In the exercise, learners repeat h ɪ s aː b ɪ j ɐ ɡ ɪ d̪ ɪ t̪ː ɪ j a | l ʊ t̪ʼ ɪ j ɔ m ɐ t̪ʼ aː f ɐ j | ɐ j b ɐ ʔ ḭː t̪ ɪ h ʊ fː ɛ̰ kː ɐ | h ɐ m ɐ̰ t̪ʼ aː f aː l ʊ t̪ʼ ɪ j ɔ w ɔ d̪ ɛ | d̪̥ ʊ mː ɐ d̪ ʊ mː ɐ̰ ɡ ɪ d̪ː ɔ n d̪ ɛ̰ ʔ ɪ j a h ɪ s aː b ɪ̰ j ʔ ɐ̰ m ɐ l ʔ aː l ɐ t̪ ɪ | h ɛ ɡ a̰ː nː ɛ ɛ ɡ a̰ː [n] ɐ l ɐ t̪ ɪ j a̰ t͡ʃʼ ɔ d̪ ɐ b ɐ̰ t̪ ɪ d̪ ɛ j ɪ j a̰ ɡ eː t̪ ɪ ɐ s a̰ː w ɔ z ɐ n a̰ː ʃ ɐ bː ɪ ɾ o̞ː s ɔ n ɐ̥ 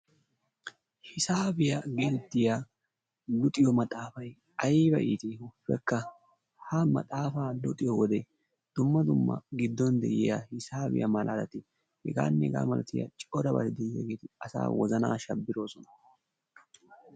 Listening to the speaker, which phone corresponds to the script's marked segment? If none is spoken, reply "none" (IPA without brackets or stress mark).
m